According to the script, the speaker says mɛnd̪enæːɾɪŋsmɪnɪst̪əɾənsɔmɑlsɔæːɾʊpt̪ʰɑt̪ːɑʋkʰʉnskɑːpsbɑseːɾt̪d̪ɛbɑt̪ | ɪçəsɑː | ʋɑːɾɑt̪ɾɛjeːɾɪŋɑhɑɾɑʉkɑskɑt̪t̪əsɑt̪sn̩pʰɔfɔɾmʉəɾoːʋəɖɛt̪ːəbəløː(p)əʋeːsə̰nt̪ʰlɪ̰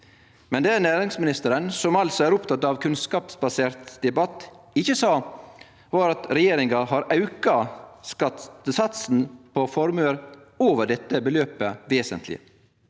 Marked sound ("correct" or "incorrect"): correct